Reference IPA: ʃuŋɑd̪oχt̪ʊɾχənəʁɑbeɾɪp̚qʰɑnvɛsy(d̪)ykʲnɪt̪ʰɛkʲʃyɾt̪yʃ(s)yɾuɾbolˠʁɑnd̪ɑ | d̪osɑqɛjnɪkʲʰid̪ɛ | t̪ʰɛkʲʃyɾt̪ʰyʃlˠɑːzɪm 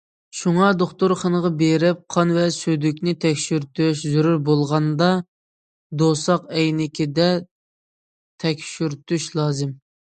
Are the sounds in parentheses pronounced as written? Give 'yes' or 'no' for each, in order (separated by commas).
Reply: yes, no